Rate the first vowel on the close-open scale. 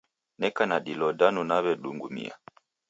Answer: mid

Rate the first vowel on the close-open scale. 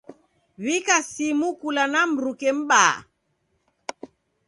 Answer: close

